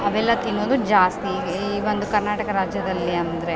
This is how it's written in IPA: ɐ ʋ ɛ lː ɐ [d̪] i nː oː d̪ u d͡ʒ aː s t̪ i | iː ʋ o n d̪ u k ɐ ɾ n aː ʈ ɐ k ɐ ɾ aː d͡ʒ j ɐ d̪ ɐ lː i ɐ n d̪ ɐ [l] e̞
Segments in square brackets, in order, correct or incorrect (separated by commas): incorrect, incorrect